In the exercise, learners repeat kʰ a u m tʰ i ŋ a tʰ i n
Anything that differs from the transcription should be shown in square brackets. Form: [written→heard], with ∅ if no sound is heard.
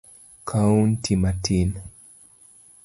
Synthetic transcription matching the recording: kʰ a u [m→n] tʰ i [ŋ→m] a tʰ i n

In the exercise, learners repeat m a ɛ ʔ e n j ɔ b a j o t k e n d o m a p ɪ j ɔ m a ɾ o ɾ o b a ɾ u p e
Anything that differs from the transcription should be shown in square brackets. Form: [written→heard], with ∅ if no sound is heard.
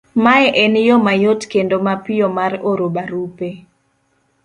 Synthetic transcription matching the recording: m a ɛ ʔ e n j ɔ [b→m] a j o t k e n d o m a p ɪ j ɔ m a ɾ o ɾ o b a ɾ u p e

